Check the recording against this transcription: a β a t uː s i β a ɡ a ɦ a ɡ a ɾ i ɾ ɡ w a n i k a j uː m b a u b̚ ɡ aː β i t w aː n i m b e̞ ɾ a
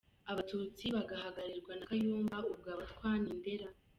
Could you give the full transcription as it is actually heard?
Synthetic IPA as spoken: a β a t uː t͡s i β a ɡ a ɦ a ɡ a ɾ i ɾ ɡ w a n a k a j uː m b a u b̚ ɡ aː β a t w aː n i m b e̞ ɾ a